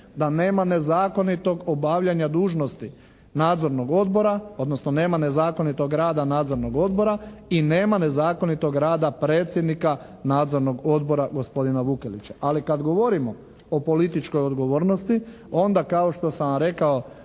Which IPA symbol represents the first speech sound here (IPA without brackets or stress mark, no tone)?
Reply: d̪